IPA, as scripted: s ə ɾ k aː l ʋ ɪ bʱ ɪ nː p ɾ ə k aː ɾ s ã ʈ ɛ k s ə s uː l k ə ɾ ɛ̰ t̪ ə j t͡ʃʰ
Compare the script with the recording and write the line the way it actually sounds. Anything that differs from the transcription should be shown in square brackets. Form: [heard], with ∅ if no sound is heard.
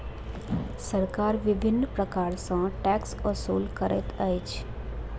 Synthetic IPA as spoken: s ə ɾ k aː [ɾ] ʋ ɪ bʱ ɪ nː p ɾ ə k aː ɾ s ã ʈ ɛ k s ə s uː l k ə ɾ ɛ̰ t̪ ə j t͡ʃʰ